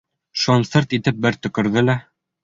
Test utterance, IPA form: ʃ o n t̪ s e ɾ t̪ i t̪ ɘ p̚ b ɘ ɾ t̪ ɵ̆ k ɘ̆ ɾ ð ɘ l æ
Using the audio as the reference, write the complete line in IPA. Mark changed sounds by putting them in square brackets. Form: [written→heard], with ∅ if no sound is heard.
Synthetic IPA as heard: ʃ o n t̪ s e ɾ t̪ i t̪ ɘ p̚ b ɘ ɾ t̪ ɵ̆ k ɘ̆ ɾ ð ɘ l æ